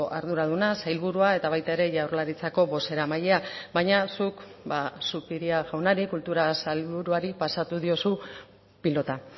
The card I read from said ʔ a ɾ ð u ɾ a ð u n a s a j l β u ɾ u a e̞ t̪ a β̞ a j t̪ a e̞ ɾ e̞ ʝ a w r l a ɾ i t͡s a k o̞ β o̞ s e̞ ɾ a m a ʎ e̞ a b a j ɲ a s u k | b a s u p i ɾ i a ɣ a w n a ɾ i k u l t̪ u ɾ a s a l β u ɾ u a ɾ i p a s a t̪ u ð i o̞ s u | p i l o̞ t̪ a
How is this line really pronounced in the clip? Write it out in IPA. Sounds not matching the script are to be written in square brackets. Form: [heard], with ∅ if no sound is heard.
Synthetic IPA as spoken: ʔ a ɾ ð u ɾ a ð u n a s a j l β u ɾ u a e̞ t̪ a β̞ a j t̪ a e̞ ɾ e̞ ʝ a w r l a ɾ i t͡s a k o̞ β o̞ s e̞ ɾ a m a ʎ e̞ a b a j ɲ a s u k | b a s u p i ɾ i a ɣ a w n a ɾ i k u l t̪ u ɾ a s a l β u ɾ u a ɾ i p a s a t̪ u ð i o̞ s u | p i l o̞ t̪ a

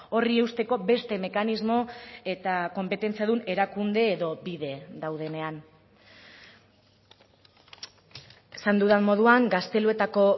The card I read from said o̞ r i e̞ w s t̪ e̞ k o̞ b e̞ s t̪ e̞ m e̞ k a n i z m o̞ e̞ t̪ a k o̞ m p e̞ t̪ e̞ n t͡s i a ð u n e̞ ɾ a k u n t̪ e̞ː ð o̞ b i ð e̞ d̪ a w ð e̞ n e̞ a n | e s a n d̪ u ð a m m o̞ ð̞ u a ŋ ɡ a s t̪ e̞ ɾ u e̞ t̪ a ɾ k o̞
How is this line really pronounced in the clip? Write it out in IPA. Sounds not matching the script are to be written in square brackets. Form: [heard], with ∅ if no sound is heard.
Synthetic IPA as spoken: o̞ r i e̞ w s t̪ e̞ k o̞ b e̞ s t̪ e̞ m e̞ k a n i z m o̞ e̞ t̪ a k o̞ m p e̞ t̪ e̞ n t͡s i a ð u n e̞ ɾ a k u n [d̪] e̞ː ð o̞ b i ð e̞ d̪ a w ð e̞ n e̞ a n | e s a n d̪ u ð a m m o̞ ð̞ u a ŋ ɡ a s t̪ e̞ [l] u e̞ t̪ a [∅] k o̞

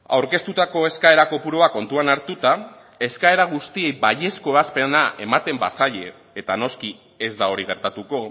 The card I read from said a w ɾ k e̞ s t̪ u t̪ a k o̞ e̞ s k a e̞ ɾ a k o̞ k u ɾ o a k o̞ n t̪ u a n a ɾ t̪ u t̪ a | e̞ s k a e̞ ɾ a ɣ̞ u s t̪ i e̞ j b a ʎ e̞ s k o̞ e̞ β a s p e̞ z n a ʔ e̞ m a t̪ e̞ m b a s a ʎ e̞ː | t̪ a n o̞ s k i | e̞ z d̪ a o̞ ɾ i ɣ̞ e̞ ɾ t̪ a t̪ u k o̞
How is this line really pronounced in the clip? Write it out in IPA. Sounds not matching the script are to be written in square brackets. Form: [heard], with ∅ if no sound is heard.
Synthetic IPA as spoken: a w ɾ k e̞ s t̪ u t̪ a k o̞ e̞ s k a e̞ ɾ a k o̞ [p] u ɾ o a k o̞ n t̪ u a n a ɾ t̪ u t̪ a | e̞ s k a e̞ ɾ a ɣ̞ u s t̪ i e̞ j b a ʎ e̞ s k o̞ e̞ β a s p e̞ [∅] n a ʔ e̞ m a t̪ e̞ m b a s a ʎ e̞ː | t̪ a n o̞ s k i | e̞ z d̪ a o̞ ɾ i ɣ̞ e̞ ɾ t̪ a t̪ u k o̞

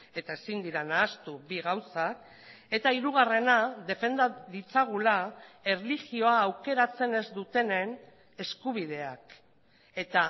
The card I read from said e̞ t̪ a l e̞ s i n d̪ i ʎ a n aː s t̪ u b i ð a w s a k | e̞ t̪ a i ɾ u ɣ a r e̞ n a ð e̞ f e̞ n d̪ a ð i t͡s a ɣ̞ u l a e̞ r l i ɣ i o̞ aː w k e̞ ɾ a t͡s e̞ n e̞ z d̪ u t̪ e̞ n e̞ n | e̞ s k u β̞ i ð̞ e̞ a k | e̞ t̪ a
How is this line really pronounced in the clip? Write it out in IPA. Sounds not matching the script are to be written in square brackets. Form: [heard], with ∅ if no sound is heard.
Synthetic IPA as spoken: e̞ t̪ a [∅] e̞ s i n d̪ i [ɾ] a n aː s t̪ u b i [ɣ] a w s a k | e̞ t̪ a i ɾ u ɣ a r e̞ n a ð e̞ f e̞ n d̪ a ð i t͡s a ɣ̞ u l a e̞ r l i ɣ i o̞ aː w k e̞ ɾ a t͡s e̞ n e̞ z d̪ u t̪ e̞ n e̞ n | e̞ s k u β̞ i ð̞ e̞ a k | e̞ t̪ a

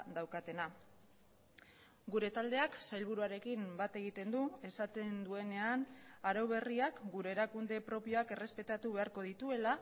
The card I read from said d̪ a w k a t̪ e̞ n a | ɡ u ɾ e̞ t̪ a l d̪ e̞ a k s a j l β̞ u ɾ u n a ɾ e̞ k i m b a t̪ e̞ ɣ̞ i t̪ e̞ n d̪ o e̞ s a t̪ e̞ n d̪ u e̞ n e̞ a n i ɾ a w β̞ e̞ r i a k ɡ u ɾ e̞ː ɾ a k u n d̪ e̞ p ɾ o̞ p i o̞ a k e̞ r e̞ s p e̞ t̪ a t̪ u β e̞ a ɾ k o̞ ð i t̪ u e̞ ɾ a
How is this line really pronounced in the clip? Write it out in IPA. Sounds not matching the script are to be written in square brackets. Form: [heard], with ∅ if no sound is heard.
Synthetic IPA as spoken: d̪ a w k a t̪ e̞ n a | ɡ u ɾ e̞ t̪ a l d̪ e̞ a k s a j l β̞ u ɾ u [∅] a ɾ e̞ k i m b a t̪ e̞ ɣ̞ i t̪ e̞ n d̪ [u] e̞ s a t̪ e̞ n d̪ u e̞ n e̞ a n [a] ɾ a w β̞ e̞ r i a k ɡ u ɾ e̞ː ɾ a k u n d̪ e̞ p ɾ o̞ p i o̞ a k e̞ r e̞ s p e̞ t̪ a t̪ u β e̞ a ɾ k o̞ ð i t̪ u e̞ [l] a

